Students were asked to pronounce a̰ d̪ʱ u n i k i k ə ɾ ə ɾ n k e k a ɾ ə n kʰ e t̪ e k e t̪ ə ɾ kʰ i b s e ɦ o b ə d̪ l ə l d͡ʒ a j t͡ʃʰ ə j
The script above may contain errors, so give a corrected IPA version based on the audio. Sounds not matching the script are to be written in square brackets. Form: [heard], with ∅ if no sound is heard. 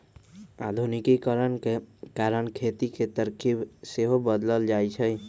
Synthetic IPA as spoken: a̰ d̪ʱ u n i k i k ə ɾ ə [∅] n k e k a ɾ ə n kʰ e t̪ [i] k e t̪ ə ɾ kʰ i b s e ɦ o b ə d̪ l ə l d͡ʒ a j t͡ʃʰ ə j